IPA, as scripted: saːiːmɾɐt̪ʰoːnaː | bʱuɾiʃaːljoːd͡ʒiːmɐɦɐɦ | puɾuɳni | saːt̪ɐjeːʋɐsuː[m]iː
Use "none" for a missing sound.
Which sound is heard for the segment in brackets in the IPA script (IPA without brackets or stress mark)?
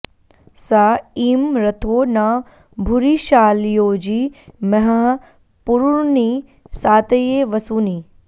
n